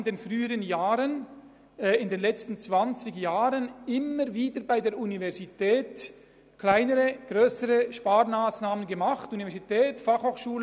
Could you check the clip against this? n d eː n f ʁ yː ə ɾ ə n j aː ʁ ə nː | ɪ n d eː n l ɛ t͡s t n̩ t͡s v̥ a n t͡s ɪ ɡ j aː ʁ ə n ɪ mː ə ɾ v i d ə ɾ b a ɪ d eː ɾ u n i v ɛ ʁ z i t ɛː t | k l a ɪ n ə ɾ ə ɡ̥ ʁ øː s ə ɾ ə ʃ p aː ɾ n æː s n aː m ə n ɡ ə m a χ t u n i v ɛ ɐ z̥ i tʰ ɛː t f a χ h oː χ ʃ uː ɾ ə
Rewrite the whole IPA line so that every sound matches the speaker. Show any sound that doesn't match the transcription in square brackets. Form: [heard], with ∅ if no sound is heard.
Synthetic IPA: n d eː n f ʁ yː ə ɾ ə n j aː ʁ ə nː | ɪ n d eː n l ɛ t͡s t n̩ t͡s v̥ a n t͡s ɪ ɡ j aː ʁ ə n ɪ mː ə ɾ v [iː] d ə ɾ b a ɪ d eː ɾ u n i v ɛ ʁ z i t ɛː t | k l a ɪ n ə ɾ ə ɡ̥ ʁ øː s ə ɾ ə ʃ p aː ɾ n [aː] s n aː m ə n ɡ ə m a χ t u n i v ɛ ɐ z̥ i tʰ ɛː t f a χ h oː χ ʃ uː [l] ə